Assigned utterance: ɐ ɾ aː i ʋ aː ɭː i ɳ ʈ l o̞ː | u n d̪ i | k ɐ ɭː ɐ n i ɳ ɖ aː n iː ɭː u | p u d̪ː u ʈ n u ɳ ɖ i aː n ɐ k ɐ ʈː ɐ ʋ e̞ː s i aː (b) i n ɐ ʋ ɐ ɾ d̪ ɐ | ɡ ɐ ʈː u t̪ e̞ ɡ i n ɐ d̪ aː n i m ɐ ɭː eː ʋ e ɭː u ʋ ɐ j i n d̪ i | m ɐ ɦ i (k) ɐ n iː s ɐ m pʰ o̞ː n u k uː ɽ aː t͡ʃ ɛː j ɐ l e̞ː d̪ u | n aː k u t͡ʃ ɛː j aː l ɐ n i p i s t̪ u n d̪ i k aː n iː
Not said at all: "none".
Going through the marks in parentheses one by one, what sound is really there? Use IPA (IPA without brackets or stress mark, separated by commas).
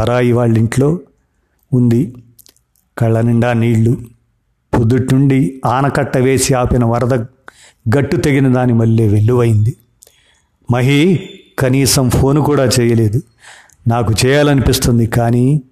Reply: p, k